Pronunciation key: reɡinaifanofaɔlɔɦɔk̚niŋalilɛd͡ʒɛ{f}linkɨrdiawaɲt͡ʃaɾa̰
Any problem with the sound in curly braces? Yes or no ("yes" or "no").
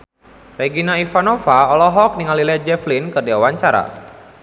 no